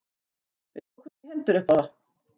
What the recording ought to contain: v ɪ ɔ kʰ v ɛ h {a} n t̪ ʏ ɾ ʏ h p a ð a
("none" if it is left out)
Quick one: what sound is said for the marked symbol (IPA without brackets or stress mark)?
ɛ